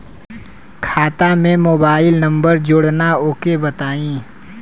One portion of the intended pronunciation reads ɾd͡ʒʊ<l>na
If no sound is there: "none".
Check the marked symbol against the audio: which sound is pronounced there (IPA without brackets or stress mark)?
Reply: ɽ